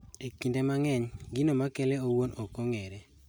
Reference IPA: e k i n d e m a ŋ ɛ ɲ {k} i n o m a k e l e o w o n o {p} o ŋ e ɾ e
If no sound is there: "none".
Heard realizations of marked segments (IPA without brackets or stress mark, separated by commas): ɡ, k